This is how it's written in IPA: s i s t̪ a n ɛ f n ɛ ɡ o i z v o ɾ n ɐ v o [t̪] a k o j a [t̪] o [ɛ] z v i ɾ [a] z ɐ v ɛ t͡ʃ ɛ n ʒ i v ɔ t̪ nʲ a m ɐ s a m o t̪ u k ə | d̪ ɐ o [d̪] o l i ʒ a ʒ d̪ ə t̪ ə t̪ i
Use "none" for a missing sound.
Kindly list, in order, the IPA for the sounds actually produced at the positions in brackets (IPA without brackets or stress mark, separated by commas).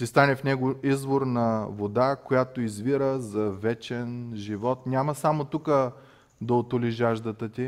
d̪, t̪, i, ə, t̪